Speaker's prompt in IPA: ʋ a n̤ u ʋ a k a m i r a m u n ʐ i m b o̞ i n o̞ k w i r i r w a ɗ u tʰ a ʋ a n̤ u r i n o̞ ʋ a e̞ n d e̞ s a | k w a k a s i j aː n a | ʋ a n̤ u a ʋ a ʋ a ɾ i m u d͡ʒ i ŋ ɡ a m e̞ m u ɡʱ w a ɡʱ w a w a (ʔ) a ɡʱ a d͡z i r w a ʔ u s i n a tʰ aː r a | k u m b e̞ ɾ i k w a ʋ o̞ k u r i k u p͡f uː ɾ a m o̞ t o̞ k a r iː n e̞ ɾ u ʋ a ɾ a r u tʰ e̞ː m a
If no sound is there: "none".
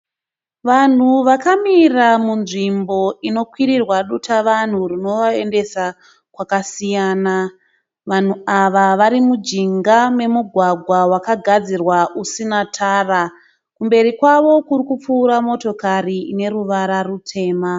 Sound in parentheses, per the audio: k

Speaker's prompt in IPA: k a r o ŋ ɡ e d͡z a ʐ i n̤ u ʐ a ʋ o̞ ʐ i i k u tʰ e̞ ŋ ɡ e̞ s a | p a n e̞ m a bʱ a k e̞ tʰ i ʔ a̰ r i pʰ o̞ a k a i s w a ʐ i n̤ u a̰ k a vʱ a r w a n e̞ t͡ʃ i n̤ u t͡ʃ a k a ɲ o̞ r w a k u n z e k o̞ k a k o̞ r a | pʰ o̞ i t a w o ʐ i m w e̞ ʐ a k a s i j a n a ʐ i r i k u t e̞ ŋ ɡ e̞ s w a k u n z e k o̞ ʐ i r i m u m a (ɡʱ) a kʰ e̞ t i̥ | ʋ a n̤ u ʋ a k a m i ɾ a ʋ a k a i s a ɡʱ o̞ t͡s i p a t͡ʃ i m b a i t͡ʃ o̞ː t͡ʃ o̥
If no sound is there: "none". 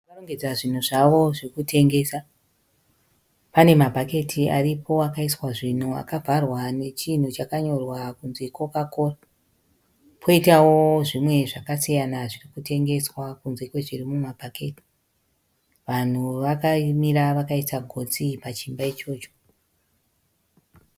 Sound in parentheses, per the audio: bʱ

